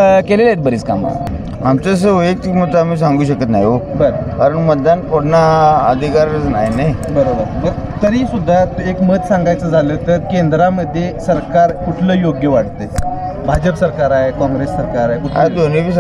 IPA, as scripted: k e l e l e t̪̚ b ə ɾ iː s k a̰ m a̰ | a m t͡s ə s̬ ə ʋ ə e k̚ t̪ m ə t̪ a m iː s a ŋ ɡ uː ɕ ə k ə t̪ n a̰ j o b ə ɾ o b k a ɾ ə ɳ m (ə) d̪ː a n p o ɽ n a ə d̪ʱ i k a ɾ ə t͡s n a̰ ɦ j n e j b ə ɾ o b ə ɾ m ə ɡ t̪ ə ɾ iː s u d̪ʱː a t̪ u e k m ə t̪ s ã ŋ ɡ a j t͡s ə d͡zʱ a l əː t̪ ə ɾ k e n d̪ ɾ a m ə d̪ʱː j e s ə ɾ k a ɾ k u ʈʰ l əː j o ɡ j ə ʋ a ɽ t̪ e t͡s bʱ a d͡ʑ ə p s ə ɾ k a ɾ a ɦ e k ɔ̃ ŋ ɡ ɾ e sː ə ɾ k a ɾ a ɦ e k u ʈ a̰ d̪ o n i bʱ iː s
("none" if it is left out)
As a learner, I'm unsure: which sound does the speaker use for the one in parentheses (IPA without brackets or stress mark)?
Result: ə